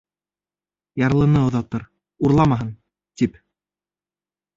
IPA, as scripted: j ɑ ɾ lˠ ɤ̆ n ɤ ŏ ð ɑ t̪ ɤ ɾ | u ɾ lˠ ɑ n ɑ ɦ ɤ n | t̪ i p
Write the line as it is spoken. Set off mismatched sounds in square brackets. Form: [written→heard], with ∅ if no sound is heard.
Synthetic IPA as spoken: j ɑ ɾ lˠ ɤ̆ n ɤ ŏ ð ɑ t̪ ɤ ɾ | u ɾ lˠ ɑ [n→m] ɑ ɦ ɤ n | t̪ i p